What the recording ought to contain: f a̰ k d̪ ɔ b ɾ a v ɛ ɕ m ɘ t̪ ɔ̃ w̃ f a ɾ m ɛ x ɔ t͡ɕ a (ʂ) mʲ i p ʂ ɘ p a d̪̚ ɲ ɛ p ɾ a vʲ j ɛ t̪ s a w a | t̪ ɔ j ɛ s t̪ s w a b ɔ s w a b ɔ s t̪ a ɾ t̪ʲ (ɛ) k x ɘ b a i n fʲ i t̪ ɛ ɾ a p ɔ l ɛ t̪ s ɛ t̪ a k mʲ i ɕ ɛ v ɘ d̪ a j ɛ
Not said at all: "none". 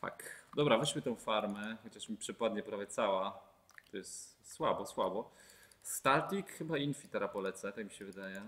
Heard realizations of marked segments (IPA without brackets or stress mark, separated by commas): ʂ, i